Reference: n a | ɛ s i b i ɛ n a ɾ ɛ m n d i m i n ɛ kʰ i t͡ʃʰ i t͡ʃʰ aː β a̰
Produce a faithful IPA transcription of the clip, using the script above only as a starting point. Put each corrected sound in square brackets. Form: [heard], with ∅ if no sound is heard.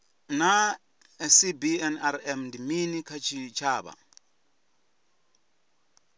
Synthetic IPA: n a | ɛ s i b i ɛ n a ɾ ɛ m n d i m i n [i] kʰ [a] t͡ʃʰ i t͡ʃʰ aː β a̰